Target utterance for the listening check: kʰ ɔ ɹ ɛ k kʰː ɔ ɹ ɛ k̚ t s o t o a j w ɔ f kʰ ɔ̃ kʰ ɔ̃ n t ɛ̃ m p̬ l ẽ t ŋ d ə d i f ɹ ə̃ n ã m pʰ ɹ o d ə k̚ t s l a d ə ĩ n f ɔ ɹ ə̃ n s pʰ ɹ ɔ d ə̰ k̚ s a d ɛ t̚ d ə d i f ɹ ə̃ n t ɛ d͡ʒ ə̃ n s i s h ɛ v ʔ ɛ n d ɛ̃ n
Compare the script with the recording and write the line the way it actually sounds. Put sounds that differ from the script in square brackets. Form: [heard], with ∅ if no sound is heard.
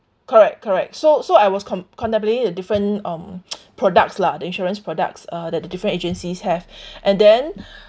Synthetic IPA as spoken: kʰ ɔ ɹ ɛ k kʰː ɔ ɹ ɛ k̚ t s o [s] o a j w ɔ [s] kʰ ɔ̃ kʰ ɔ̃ n t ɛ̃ m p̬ l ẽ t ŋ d ə d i f ɹ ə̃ n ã m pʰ ɹ [ɔ] d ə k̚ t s l a d ə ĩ n [ʃ] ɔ ɹ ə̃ n s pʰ ɹ ɔ d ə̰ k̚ s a d ɛ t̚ d ə d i f ɹ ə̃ n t [e] d͡ʒ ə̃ n s i s h ɛ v ʔ [ɛ̃] n d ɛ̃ n

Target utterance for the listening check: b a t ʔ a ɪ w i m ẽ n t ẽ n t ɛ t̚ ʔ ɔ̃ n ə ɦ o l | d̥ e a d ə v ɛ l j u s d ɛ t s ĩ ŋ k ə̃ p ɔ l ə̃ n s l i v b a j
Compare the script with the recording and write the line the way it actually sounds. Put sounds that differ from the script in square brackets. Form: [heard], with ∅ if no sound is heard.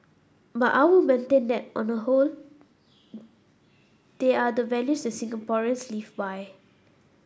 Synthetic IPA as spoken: b a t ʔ a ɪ w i m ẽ n t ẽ n [d] ɛ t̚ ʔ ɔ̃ n ə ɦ o l | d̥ e a d ə v ɛ l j u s d ɛ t s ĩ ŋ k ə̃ p ɔ [ɹ] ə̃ n s l i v b a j

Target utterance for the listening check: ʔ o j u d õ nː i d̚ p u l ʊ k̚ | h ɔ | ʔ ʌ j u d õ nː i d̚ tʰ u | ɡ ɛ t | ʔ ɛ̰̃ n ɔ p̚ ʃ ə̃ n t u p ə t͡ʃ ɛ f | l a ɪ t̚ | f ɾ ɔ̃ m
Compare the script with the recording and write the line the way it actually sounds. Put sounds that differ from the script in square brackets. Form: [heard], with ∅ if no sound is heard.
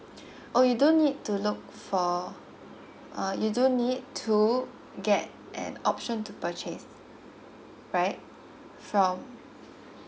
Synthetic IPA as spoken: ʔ o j u d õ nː i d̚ [t] u l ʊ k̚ | [f] ɔ | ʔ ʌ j u d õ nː i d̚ tʰ u | ɡ ɛ t | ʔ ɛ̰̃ n ɔ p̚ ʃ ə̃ n t u p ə t͡ʃ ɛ [s] | [ɹ] a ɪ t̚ | f [ɹ] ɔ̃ m

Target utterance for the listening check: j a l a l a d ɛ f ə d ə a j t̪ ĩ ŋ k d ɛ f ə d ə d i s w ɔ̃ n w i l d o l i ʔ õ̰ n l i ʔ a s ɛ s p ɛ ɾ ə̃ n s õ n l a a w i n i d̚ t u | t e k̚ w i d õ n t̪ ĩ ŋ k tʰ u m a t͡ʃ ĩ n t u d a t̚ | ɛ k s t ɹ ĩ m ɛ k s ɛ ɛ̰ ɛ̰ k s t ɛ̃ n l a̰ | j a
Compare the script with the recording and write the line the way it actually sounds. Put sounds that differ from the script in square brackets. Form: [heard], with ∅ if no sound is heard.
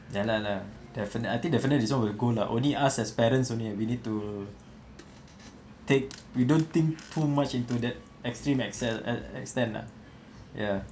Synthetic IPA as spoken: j a l a l a d ɛ f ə [n] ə a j t̪ ĩ ŋ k d ɛ f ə [n] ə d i s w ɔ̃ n w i l [ɡ] o l [a] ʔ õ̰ n l i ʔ a s ɛ s p ɛ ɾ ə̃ n s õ n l [i] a w i n i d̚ t u | t e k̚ w i d õ n t̪ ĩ ŋ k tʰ u m a t͡ʃ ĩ n t u d [ɛ] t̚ | ɛ k s t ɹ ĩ m ɛ k s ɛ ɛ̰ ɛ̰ k s t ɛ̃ n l a̰ | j a

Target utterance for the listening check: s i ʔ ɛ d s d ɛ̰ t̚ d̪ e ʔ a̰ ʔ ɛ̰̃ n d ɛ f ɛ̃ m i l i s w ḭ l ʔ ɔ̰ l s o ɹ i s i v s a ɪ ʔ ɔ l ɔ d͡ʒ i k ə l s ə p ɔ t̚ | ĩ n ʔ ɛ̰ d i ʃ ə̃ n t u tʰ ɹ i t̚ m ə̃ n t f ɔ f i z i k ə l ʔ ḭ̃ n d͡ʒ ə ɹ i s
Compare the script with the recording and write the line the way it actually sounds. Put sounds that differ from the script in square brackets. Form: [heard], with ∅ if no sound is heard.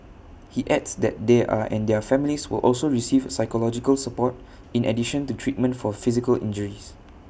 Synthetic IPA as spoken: [h] i ʔ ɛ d s d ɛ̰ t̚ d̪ e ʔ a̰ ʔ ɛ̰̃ n d ɛ f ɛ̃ m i l i s w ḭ l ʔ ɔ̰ l s o ɹ i s i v s a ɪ [k] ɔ l ɔ d͡ʒ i k ə l s ə p ɔ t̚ | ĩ n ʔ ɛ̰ d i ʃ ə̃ n t u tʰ ɹ i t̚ m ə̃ n t f ɔ f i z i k ə l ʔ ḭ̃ n d͡ʒ ə ɹ i s

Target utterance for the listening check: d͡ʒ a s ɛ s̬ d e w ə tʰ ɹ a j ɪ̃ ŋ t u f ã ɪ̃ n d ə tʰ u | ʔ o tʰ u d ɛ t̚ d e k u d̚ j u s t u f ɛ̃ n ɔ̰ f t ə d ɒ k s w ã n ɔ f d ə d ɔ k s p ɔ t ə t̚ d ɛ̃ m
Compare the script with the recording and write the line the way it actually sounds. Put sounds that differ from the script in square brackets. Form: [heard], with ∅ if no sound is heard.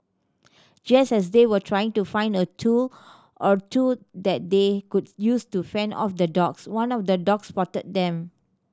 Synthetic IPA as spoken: d͡ʒ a s ɛ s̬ d e w ə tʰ ɹ a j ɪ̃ ŋ t u f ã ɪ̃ n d ə tʰ u | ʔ [ɔ] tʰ u d ɛ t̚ d e k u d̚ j u s t u f ɛ̃ n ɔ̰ f [d] ə d [ɔ] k s w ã n ɔ f d ə d ɔ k s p ɔ t ə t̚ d ɛ̃ m

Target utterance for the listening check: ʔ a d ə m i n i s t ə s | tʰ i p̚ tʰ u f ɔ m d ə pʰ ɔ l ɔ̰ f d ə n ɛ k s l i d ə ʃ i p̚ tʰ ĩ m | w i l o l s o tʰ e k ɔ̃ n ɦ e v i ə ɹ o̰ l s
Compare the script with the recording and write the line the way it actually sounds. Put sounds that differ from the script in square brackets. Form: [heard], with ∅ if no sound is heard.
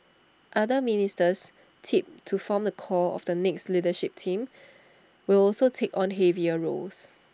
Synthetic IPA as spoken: ʔ a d ə m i n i s t ə s | tʰ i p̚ tʰ u f ɔ m d ə [kʰ] ɔ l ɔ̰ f d ə n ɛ k s l i d ə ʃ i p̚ tʰ ĩ m | w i l [ɔ] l s o tʰ e k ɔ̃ n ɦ e v i ə ɹ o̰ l s

